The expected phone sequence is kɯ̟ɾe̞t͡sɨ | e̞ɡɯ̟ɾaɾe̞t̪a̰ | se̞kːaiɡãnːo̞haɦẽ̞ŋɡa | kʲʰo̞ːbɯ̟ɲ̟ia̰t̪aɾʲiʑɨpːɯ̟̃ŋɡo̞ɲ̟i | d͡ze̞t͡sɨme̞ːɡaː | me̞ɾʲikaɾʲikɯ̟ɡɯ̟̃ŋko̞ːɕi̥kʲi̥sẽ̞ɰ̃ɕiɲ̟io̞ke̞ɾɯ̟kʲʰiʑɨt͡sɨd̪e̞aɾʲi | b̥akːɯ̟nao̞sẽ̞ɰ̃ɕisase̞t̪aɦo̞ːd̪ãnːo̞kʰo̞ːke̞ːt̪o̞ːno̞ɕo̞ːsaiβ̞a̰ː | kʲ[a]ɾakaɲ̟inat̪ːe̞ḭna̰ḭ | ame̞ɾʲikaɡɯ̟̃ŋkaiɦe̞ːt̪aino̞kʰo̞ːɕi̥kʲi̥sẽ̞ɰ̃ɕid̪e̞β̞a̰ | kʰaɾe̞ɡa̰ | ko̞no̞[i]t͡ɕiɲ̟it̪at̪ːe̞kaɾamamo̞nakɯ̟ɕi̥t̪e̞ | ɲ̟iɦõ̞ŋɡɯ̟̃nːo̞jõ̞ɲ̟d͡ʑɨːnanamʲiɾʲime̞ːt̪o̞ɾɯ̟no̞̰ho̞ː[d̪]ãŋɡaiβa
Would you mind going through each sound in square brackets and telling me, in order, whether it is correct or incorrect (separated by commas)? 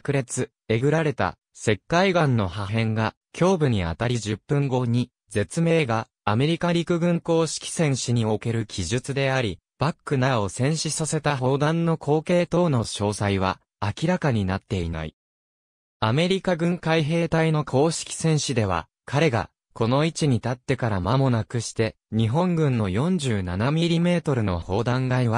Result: incorrect, correct, correct